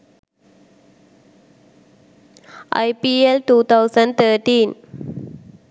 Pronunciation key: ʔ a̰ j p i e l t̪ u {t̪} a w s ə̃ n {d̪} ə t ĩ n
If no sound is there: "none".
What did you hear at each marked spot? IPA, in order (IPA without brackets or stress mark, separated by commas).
t̪, t̪